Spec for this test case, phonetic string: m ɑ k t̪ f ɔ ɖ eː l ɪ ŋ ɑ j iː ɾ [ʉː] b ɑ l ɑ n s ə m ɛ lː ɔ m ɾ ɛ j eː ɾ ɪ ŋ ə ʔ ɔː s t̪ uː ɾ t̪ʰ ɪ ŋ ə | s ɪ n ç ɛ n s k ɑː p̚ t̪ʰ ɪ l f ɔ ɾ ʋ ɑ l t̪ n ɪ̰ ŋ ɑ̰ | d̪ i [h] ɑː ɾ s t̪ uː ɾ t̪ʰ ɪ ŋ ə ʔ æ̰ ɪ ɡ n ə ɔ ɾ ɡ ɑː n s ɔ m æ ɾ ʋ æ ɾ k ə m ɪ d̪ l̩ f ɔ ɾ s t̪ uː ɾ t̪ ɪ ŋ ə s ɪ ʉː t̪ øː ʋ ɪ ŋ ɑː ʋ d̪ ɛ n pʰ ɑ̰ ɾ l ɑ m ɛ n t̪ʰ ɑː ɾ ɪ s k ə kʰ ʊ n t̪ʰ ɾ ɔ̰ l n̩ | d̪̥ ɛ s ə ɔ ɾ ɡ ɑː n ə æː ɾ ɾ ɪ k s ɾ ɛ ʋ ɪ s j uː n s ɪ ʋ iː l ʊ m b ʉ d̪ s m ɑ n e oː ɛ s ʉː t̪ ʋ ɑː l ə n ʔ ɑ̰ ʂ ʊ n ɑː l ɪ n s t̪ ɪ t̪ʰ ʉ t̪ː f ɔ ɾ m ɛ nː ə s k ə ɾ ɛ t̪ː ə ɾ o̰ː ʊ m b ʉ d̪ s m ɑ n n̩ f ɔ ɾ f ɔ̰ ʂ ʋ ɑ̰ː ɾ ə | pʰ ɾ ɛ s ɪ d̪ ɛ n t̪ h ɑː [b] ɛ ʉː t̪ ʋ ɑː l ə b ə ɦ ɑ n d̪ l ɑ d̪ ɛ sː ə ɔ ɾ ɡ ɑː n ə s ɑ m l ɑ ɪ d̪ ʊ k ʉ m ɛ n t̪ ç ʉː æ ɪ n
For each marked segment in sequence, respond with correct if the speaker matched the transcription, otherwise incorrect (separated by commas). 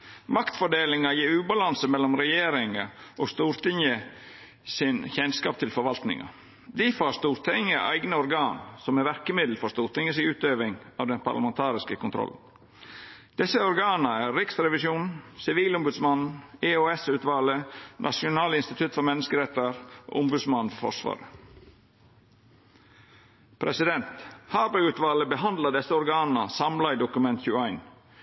correct, incorrect, correct